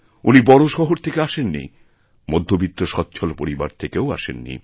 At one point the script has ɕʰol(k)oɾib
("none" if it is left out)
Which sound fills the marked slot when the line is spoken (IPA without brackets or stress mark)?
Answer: p